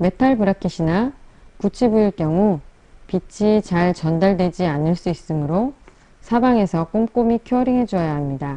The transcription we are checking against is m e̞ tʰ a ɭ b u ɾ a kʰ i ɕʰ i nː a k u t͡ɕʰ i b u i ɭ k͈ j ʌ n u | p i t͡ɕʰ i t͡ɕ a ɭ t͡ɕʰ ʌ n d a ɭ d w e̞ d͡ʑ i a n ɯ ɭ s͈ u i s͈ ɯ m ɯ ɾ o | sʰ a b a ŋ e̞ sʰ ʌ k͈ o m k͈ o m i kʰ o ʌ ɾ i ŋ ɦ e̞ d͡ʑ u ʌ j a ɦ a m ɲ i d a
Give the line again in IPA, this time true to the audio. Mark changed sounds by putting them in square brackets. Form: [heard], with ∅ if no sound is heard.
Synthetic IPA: m e̞ tʰ a ɭ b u ɾ a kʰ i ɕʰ i [n] a k u t͡ɕʰ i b u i ɭ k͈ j ʌ [ŋ] u | p i t͡ɕʰ i t͡ɕ a ɭ [t͡ɕ] ʌ n d a ɭ d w e̞ d͡ʑ i a n ɯ ɭ s͈ u i s͈ ɯ m ɯ ɾ o | sʰ a b a ŋ e̞ sʰ ʌ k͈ o m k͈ o m i kʰ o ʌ ɾ i ŋ ɦ e̞ d͡ʑ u ʌ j a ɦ a m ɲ i d a